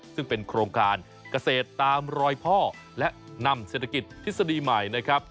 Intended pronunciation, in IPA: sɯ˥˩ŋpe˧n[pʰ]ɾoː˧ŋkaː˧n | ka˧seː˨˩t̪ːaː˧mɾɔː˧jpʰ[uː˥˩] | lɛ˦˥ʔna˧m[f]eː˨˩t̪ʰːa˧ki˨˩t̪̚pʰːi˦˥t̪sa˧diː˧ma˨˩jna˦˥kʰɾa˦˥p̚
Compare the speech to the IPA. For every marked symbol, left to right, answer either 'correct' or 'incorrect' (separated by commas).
incorrect, incorrect, incorrect